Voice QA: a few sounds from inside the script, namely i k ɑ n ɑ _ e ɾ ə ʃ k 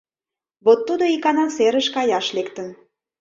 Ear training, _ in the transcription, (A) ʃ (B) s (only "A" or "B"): B